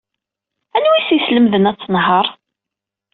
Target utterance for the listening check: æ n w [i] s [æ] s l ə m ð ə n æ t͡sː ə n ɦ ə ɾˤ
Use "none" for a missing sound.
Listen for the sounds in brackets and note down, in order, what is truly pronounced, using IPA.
i, i

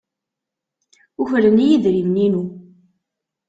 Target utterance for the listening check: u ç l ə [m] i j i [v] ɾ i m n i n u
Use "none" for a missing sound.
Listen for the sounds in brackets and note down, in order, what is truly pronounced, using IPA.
n, ð

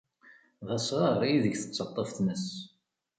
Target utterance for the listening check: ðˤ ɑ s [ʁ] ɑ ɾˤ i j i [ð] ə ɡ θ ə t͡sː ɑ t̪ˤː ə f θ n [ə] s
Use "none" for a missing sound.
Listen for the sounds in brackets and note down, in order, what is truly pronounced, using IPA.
ʁ, ð, ə

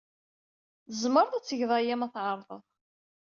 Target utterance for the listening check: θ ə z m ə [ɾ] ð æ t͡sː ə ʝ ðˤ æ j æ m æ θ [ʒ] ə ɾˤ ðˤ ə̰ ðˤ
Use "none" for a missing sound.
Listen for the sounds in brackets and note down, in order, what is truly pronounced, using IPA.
ɾ, ʕ

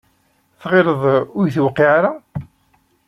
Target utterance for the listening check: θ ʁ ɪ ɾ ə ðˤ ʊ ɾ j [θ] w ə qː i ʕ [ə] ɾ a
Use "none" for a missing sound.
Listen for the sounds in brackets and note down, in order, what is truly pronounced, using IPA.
θ, a

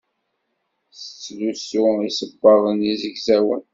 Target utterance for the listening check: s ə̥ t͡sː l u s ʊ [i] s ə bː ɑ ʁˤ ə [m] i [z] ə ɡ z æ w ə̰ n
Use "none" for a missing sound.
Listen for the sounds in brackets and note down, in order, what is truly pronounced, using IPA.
i, n, z

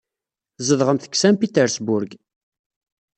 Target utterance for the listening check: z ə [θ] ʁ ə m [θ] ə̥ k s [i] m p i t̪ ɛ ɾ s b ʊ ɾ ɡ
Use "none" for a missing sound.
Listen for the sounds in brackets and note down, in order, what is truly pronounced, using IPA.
ð, θ, æ

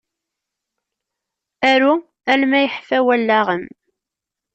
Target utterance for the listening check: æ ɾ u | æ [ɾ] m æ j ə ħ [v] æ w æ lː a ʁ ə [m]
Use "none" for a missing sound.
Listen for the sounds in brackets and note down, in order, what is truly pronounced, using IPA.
l, f, m

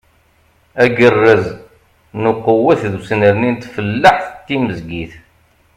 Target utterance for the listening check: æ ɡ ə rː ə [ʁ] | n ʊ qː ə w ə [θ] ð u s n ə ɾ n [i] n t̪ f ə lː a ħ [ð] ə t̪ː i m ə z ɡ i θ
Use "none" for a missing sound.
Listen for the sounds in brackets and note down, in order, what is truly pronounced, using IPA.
z, θ, i, θ

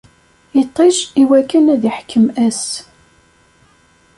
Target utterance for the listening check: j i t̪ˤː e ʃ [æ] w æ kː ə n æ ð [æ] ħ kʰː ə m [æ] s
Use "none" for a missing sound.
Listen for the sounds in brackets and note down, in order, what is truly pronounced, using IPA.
i, i, æ

